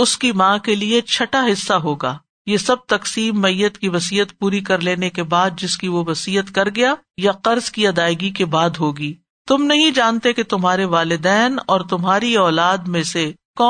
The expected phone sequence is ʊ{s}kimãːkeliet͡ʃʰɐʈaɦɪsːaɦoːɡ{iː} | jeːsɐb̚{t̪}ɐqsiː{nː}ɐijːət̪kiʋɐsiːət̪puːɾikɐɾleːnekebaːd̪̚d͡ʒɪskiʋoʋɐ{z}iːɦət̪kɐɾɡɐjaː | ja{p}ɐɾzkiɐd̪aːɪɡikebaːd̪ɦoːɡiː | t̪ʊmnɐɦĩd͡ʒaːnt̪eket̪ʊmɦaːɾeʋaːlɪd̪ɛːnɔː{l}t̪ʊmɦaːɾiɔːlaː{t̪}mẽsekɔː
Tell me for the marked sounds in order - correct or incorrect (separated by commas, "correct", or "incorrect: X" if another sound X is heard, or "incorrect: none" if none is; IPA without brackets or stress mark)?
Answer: correct, incorrect: aː, correct, incorrect: mː, incorrect: s, incorrect: q, incorrect: ɾ, incorrect: d̪